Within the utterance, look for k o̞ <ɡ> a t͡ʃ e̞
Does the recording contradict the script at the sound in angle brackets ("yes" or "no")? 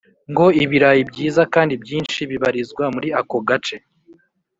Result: no